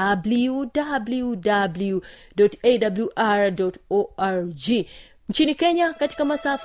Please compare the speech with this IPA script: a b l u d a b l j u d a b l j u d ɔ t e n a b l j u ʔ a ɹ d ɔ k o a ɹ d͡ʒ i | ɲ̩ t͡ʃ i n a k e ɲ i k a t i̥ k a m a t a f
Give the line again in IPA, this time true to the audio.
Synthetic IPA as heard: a b l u d a b l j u d a b l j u d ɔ t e d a b l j u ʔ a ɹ d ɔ t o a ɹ d͡ʒ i | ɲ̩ t͡ʃ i n i k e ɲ a k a t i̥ k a m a s a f